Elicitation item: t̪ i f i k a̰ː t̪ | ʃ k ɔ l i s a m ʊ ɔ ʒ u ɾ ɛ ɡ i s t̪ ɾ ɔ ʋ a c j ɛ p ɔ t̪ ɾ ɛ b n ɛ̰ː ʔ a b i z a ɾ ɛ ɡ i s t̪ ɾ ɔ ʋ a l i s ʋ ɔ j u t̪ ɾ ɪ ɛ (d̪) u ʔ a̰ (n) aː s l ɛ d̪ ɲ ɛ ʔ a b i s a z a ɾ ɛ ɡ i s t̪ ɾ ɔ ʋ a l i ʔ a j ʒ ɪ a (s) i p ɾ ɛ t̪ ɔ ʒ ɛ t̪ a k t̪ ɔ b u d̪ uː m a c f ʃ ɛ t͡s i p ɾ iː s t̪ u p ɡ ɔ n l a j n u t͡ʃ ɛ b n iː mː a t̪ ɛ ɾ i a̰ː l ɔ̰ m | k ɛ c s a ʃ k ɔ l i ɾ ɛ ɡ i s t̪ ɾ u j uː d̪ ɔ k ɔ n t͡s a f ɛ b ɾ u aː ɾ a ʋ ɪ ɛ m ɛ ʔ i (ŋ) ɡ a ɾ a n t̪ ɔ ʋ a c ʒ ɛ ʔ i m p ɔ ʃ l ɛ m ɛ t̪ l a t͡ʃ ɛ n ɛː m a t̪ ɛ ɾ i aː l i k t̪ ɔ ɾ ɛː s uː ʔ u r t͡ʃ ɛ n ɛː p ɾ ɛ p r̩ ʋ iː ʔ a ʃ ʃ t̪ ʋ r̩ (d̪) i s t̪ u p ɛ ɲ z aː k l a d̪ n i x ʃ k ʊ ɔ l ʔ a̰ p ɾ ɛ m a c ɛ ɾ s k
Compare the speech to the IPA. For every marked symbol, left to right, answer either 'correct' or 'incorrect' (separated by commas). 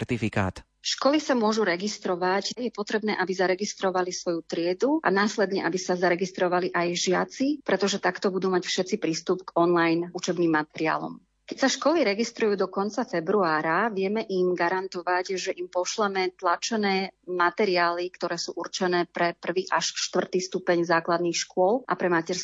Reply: correct, correct, incorrect, incorrect, incorrect